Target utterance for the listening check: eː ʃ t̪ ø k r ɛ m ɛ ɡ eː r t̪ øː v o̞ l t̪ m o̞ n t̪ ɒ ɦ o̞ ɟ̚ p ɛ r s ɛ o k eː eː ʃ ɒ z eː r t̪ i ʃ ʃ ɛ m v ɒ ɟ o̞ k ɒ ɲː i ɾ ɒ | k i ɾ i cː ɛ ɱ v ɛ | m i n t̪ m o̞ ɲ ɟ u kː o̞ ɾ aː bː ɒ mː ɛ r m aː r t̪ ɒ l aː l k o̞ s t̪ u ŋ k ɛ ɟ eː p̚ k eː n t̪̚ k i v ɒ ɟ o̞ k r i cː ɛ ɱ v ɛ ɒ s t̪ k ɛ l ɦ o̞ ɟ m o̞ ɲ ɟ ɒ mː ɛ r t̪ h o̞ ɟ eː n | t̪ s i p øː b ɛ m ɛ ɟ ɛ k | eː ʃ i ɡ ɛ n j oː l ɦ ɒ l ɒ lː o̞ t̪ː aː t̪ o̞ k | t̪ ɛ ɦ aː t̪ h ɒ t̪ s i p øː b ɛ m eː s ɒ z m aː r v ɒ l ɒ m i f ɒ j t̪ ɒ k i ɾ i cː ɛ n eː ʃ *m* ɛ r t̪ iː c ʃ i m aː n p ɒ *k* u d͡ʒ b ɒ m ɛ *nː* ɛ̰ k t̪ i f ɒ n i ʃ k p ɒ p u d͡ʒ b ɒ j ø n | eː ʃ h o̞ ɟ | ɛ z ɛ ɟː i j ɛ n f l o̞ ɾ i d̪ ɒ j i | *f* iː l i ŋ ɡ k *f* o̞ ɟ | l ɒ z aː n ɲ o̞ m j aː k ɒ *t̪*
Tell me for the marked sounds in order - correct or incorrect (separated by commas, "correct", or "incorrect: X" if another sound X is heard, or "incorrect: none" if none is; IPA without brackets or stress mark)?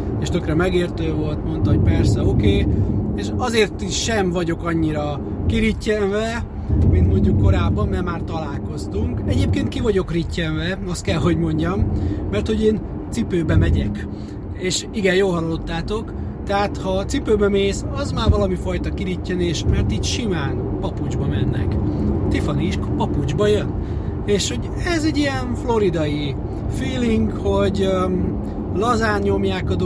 correct, incorrect: p, correct, correct, incorrect: h, incorrect: d̪